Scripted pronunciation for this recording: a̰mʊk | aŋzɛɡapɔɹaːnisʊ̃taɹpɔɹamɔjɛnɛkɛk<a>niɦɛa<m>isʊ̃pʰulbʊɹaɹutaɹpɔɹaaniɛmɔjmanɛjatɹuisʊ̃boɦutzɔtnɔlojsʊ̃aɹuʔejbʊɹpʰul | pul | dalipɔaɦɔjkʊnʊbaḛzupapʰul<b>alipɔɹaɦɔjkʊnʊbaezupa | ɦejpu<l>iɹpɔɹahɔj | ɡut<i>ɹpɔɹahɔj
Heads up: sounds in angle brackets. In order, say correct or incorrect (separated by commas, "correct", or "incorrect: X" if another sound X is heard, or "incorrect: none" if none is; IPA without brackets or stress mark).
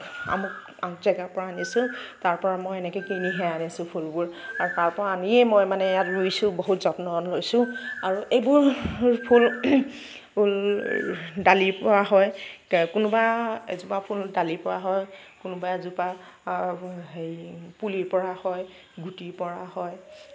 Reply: incorrect: i, incorrect: n, incorrect: d, correct, correct